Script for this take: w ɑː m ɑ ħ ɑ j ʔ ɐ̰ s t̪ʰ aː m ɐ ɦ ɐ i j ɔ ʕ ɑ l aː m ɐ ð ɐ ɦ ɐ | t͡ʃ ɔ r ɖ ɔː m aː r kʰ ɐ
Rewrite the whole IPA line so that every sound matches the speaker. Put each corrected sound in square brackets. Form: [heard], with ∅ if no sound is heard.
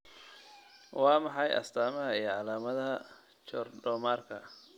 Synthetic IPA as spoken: w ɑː m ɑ ħ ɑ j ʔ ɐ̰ s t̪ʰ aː m ɐ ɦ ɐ i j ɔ ʕ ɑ l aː m ɐ ð ɐ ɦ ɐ | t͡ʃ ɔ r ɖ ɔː m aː r kʰ ɐ

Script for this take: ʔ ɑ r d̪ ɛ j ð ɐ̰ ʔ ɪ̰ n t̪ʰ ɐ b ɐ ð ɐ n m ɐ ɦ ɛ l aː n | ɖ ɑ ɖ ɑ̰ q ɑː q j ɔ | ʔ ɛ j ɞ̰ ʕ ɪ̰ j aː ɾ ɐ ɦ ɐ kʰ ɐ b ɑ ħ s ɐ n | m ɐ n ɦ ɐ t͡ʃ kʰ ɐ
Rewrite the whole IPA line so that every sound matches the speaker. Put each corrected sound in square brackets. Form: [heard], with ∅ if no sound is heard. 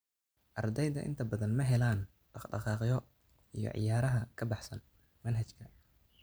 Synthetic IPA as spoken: ʔ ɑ r d̪ ɛ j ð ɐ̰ ʔ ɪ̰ n t̪ʰ ɐ b ɐ ð ɐ n m ɐ ɦ ɛ l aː n | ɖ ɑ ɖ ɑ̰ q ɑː q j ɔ | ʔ [i] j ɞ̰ ʕ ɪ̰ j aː ɾ ɐ ɦ ɐ kʰ ɐ b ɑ ħ s ɐ n | m ɐ n ɦ ɐ t͡ʃ kʰ ɐ

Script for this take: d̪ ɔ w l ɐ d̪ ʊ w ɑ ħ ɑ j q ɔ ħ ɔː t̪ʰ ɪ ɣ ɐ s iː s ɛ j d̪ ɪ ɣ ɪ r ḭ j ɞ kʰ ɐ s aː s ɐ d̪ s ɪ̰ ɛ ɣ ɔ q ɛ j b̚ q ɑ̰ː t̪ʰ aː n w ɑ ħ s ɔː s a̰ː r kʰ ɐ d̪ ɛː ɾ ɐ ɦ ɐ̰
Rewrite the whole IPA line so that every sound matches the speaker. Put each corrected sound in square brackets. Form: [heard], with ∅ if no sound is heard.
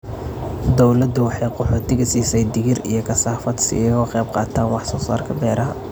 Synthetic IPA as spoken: d̪ ɔ w l ɐ d̪ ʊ w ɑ ħ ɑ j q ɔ ħ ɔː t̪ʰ ɪ ɣ ɐ s iː s ɛ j d̪ ɪ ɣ ɪ r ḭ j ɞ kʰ ɐ s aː [f] ɐ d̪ s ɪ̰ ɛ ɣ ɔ q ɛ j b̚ q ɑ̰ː t̪ʰ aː n w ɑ ħ s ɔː s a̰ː r kʰ ɐ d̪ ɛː ɾ ɐ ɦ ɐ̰

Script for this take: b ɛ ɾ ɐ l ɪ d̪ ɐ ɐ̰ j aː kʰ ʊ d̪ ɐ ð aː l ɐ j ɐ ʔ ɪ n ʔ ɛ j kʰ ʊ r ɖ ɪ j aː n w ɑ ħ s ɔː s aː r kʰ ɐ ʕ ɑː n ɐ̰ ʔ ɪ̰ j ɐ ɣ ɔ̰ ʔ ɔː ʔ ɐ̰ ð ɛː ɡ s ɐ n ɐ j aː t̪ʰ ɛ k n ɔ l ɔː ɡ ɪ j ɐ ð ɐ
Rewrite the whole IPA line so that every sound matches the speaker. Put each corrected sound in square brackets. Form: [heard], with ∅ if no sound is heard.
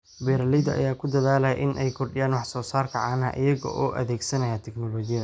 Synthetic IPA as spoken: b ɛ ɾ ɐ l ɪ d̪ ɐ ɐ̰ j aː kʰ ʊ d̪ ɐ ð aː l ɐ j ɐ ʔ ɪ n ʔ ɛ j kʰ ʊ r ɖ ɪ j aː n w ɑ ħ s ɔː s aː r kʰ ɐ ʕ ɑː n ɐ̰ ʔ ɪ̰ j ɐ ɣ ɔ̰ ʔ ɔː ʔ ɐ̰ ð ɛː ɡ s ɐ n ɐ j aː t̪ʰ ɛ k n ɔ l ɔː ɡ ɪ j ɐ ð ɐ

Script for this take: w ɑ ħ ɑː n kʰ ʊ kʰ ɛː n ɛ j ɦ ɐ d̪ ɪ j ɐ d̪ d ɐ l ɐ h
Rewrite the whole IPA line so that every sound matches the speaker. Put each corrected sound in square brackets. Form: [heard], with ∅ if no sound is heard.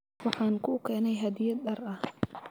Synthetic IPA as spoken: w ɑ ħ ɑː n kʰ ʊ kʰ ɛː n ɛ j ɦ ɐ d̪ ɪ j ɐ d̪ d ɐ [r] ɐ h

